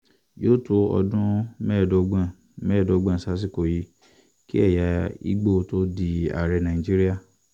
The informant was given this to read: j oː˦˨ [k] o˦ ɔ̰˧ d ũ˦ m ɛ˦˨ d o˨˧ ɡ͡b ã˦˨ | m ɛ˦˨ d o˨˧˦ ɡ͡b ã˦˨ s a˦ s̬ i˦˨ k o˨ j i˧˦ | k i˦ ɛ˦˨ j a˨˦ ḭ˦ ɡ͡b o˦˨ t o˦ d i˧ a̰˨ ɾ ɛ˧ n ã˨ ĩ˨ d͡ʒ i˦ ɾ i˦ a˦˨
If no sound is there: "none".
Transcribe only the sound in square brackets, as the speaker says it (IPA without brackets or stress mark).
t